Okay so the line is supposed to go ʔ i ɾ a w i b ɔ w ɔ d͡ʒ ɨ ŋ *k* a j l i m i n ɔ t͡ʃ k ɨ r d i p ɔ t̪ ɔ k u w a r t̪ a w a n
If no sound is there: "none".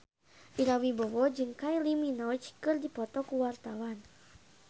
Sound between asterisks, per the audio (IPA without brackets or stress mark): k